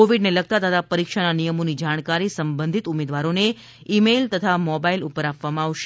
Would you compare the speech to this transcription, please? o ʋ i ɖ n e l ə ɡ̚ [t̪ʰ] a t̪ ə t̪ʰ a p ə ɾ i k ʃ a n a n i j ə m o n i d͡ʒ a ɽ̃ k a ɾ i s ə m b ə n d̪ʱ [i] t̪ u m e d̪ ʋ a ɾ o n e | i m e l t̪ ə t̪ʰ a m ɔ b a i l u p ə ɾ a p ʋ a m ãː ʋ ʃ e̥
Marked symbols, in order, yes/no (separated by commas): no, yes